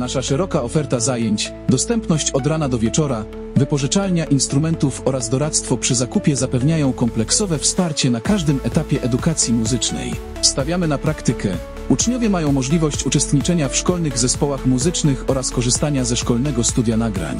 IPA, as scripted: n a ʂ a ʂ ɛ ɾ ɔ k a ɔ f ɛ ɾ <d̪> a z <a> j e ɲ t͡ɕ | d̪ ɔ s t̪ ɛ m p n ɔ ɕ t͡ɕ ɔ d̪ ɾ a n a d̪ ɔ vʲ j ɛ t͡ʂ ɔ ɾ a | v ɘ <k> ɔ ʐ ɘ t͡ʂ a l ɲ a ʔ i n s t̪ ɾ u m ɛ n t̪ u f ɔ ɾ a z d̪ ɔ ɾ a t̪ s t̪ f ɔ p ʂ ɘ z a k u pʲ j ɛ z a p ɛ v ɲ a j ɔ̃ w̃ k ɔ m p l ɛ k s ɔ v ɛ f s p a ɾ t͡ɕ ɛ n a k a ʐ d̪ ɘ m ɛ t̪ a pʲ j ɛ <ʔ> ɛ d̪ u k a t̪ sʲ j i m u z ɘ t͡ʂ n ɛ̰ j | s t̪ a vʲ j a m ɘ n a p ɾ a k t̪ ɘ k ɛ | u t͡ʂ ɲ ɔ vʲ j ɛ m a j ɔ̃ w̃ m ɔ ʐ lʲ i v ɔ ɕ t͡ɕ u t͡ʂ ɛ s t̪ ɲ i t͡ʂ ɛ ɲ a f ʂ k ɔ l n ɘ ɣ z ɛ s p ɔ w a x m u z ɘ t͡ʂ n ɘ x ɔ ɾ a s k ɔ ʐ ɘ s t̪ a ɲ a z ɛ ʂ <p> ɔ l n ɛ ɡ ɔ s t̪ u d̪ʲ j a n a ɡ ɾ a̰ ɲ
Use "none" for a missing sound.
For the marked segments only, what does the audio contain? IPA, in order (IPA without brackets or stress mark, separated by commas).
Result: t̪, a, p, ʔ, k